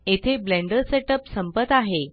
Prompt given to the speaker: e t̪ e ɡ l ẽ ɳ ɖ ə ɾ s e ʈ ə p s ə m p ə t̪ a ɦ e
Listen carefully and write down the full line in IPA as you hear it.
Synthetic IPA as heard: e t̪ʰ e b l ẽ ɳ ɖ ə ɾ s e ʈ ə p s ə m p ə t̪ a ɦ e